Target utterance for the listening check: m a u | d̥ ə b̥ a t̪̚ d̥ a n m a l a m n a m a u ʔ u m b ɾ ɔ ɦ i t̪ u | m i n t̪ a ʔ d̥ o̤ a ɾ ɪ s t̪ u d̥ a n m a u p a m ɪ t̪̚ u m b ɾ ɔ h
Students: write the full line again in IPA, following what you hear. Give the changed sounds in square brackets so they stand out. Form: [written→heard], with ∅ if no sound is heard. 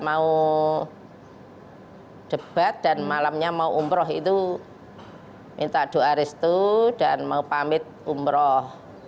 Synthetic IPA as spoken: m a u | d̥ ə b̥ a t̪̚ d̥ a n m a l a m [n→ɲ] a m a u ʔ u m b ɾ ɔ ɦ i t̪ u | m i n t̪ a ʔ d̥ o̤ a ɾ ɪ s t̪ u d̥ a n m a u p a m ɪ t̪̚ u m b ɾ ɔ h